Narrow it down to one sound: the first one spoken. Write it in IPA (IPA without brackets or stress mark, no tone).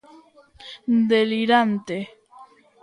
d̪